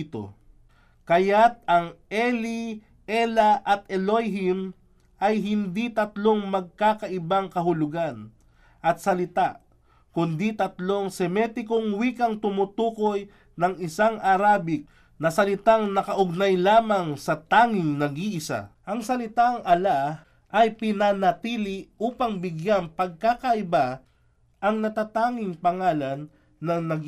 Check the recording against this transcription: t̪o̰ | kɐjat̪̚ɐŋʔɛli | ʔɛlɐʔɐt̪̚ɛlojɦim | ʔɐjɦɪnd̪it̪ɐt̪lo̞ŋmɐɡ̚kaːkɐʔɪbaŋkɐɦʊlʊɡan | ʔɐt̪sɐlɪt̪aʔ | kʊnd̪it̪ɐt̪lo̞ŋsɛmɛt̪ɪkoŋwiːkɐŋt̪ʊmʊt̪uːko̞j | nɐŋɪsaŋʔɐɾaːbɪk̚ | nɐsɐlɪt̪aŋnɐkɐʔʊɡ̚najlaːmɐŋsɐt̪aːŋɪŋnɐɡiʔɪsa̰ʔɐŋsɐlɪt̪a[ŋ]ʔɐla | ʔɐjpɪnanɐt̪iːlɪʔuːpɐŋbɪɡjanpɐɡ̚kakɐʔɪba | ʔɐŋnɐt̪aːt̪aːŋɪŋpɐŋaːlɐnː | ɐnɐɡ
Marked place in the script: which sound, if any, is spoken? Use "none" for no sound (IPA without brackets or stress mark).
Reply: ŋ